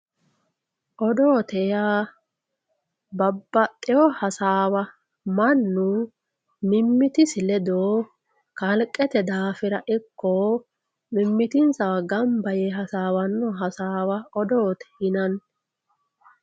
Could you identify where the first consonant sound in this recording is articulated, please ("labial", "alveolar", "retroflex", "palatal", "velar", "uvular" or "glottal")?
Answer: glottal